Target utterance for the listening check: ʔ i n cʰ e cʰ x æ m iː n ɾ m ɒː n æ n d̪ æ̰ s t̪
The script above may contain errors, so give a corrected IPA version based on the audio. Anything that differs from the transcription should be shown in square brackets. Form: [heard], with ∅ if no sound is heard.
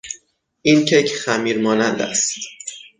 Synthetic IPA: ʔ i n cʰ e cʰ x æ m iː [∅] ɾ m ɒː n æ n d̪ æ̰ s t̪